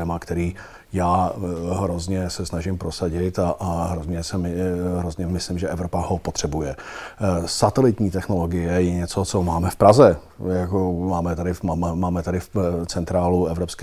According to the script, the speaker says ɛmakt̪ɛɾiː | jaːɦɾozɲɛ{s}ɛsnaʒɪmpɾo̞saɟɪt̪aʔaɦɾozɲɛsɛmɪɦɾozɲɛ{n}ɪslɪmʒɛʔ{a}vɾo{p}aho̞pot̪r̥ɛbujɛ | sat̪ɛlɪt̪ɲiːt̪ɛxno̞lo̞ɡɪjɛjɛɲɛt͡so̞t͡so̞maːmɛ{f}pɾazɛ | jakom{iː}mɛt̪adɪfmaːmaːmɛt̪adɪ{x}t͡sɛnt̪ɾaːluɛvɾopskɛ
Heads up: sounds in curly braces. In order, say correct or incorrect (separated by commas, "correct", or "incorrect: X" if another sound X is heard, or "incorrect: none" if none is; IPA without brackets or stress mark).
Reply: correct, incorrect: m, incorrect: ɛ, correct, correct, incorrect: aː, incorrect: f